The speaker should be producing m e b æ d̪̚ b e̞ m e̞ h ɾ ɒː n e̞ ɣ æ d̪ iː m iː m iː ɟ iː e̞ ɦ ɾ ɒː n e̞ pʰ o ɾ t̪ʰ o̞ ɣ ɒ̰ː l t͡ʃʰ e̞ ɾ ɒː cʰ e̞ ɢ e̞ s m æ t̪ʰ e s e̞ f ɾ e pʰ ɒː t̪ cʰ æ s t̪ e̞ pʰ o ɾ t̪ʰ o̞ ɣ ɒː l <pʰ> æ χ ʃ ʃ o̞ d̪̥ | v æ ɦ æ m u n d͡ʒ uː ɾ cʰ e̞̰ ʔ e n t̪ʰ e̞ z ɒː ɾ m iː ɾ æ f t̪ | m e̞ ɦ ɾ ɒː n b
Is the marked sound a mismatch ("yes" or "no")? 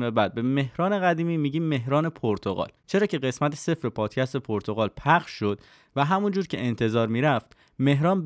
no